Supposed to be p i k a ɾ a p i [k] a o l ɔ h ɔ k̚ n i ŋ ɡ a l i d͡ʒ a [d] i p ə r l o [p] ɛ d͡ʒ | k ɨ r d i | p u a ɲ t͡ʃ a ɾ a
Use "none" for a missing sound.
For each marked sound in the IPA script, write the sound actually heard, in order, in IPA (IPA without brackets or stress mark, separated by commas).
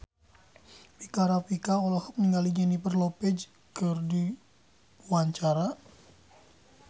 k, n, p